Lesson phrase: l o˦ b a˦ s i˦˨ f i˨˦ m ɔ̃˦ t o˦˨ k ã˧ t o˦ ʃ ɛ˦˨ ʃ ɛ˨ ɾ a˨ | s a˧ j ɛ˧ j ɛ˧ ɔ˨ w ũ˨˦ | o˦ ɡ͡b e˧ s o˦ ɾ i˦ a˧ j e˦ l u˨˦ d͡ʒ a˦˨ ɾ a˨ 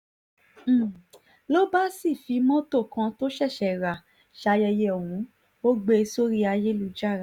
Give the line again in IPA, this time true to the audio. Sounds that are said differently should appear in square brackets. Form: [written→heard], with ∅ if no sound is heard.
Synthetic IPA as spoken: l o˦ b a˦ s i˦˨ f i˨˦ m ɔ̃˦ t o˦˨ k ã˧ t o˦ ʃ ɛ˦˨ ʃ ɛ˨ ɾ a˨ | [s→ʃ] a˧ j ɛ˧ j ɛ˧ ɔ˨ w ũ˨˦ | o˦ ɡ͡b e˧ s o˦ ɾ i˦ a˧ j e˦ l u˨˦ d͡ʒ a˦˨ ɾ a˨